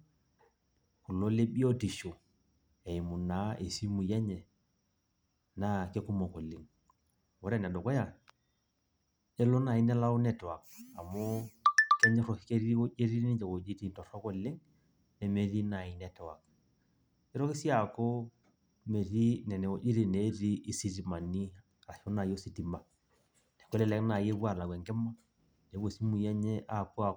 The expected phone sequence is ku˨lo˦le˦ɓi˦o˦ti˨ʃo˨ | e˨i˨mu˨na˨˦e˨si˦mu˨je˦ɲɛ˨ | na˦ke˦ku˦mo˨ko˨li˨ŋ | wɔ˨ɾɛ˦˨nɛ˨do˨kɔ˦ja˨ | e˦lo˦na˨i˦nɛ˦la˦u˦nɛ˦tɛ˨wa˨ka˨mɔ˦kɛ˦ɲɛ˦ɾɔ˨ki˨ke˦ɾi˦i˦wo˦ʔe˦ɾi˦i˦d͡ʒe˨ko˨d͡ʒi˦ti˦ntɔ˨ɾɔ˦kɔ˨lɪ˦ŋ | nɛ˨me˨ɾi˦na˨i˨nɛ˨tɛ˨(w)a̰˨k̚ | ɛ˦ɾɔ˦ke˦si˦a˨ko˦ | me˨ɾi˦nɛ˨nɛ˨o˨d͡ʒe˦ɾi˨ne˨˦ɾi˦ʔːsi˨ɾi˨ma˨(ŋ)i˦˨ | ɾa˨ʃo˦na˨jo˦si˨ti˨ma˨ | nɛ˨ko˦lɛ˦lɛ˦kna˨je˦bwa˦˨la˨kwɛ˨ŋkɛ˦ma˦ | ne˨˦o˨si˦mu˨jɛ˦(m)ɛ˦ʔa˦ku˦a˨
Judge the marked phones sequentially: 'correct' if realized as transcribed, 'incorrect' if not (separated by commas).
correct, incorrect, incorrect